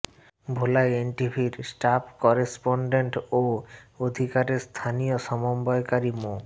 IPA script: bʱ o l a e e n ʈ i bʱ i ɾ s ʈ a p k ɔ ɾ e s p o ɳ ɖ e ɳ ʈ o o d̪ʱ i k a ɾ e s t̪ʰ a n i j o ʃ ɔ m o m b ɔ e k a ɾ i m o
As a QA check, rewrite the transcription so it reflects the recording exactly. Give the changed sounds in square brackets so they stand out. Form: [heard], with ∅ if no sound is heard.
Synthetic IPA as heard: bʱ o l a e e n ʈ i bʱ i ɾ s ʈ a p k ɔ ɾ e s p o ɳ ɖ e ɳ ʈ o o d̪ʱ i k a ɾ e s t̪ʰ a n i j o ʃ ɔ m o m b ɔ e k a ɾ i m o